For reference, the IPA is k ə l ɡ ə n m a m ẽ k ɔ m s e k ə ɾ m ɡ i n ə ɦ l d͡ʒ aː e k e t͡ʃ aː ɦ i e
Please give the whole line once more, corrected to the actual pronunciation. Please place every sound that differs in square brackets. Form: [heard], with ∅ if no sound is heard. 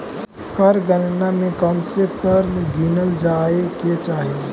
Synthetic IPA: k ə [ɾ] ɡ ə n [n] a m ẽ k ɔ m s e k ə ɾ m ɡ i n ə [∅] l d͡ʒ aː e k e t͡ʃ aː ɦ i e